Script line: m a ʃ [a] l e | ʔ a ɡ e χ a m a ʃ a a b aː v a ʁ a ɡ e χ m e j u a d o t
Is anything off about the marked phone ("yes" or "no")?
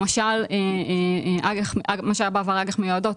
no